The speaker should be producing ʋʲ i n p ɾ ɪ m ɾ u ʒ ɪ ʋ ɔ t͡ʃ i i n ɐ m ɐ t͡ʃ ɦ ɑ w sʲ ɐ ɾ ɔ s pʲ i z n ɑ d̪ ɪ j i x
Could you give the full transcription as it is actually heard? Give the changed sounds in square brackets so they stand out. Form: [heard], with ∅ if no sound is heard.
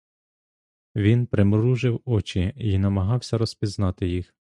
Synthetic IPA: ʋʲ i n p ɾ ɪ m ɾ u ʒ ɪ [w] ɔ t͡ʃ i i n ɐ m ɐ [∅] ɦ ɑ w sʲ ɐ ɾ ɔ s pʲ i z n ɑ [t̪] ɪ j i x